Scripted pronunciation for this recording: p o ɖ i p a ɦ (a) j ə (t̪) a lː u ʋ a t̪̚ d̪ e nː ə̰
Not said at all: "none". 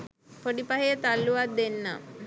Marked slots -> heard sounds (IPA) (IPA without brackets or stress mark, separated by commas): e, t̪